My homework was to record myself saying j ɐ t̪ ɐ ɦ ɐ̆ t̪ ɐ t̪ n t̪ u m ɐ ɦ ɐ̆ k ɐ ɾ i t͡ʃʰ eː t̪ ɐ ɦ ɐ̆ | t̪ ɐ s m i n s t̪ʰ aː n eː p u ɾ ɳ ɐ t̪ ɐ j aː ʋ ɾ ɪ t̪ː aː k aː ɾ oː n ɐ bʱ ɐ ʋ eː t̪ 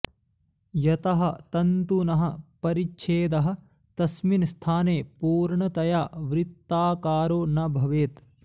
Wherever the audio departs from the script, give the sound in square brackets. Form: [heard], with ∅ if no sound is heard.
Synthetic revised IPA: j ɐ t̪ ɐ ɦ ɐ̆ t̪ ɐ [∅] n t̪ u [n] ɐ ɦ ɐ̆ [p] ɐ ɾ i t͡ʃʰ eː [d̪] ɐ ɦ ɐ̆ | t̪ ɐ s m i n s t̪ʰ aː n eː p [uː] ɾ ɳ ɐ t̪ ɐ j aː ʋ ɾ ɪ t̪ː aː k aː ɾ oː n ɐ bʱ ɐ ʋ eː t̪